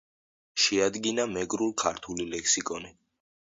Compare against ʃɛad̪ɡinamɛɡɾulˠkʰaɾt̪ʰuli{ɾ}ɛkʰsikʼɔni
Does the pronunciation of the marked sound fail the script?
yes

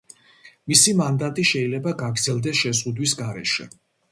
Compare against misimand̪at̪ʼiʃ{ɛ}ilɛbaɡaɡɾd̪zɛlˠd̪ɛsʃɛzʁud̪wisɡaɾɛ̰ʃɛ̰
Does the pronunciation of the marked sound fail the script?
no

